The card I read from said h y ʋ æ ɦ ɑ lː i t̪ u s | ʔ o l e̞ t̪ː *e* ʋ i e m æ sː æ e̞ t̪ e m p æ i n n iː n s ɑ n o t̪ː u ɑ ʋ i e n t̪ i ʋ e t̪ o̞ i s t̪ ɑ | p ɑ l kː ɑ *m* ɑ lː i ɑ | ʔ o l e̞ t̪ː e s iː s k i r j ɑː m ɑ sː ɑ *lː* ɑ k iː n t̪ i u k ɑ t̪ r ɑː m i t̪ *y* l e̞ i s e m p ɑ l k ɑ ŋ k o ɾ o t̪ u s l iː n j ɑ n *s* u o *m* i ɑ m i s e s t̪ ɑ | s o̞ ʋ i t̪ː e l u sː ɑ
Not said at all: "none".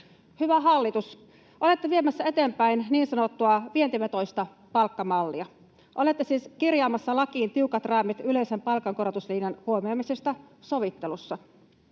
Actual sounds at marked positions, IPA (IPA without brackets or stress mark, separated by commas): e, m, l, y, h, m